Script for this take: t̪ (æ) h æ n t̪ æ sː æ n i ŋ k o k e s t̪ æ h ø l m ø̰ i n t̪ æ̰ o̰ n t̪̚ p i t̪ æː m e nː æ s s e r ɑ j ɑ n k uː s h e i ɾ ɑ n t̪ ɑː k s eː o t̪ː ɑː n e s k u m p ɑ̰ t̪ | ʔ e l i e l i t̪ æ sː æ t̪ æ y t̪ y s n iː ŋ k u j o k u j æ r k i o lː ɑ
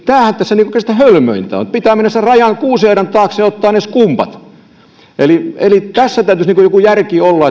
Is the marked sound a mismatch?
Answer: yes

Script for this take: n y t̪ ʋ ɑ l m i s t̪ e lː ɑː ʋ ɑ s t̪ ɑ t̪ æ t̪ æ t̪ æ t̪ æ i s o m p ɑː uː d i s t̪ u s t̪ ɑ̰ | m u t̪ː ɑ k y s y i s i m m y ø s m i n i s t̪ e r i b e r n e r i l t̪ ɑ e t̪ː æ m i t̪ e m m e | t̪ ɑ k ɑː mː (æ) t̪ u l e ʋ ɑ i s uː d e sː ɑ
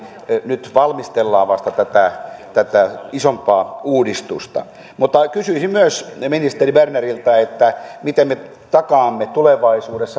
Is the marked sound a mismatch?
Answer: yes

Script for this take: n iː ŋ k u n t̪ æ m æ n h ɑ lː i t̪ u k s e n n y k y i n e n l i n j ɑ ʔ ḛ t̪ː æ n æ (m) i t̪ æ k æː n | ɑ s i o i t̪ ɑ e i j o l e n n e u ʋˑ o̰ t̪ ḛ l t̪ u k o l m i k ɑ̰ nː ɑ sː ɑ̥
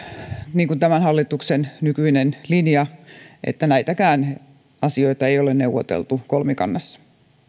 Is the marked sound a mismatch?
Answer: yes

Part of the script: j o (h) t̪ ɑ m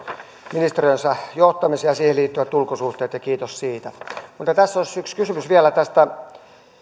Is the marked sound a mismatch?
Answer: no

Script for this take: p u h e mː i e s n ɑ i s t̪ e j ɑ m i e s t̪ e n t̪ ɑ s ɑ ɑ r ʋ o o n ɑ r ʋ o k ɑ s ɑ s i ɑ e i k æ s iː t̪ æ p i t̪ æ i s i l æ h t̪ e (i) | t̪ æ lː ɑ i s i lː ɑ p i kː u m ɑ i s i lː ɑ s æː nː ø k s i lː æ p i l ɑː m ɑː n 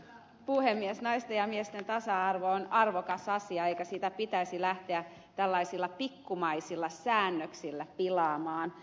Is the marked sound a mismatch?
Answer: yes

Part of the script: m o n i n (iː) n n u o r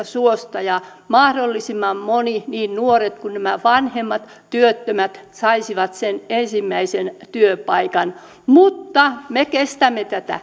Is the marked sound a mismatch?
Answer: no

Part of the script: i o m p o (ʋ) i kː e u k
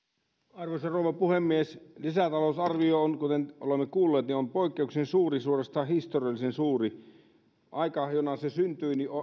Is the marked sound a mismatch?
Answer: yes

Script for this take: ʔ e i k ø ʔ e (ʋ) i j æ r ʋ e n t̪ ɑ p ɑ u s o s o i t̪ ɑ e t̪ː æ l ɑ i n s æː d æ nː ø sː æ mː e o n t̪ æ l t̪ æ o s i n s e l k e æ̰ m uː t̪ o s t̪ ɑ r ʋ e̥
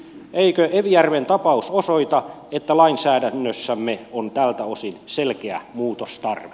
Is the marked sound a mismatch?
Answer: no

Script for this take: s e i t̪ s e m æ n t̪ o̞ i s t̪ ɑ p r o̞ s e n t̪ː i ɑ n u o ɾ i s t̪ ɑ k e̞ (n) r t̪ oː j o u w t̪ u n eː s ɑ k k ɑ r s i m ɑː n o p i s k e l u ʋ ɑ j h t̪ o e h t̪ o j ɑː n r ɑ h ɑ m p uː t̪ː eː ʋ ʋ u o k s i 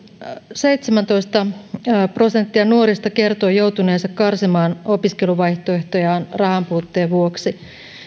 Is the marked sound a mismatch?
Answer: yes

